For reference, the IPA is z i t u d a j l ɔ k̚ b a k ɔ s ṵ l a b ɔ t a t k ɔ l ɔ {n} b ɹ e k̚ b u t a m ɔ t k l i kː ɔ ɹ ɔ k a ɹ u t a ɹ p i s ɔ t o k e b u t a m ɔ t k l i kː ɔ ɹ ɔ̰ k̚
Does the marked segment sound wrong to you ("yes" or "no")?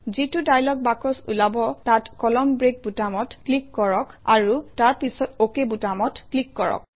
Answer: yes